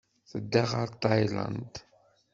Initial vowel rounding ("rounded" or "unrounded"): unrounded